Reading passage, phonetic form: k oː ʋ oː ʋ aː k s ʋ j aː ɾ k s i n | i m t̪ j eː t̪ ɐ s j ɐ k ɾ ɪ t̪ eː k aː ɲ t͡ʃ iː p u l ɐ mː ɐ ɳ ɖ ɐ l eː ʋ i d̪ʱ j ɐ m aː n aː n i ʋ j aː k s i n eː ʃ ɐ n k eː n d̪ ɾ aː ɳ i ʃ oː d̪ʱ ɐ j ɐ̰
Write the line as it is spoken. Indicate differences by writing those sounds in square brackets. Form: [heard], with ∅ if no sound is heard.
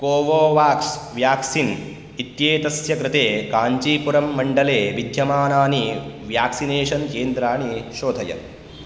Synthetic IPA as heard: k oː ʋ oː ʋ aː k s ʋ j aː [∅] k s i n | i [∅] t̪ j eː t̪ ɐ s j ɐ k ɾ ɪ t̪ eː k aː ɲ t͡ʃ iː p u [ɾ] ɐ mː ɐ ɳ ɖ ɐ l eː ʋ i d̪ʱ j ɐ m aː n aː n i ʋ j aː k s i n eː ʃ ɐ n k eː n d̪ ɾ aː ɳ i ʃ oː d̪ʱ ɐ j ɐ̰